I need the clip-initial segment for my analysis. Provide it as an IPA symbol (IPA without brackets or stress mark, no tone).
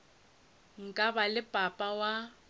ŋ̩